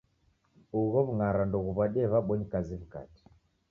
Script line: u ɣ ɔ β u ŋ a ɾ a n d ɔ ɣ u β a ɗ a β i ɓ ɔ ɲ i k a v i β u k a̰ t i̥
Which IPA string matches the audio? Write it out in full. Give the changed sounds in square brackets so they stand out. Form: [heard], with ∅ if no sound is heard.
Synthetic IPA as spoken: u ɣ ɔ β u ŋ a ɾ a n d ɔ ɣ u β a ɗ [ɛ] β [a] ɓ ɔ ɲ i k a [z] i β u k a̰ t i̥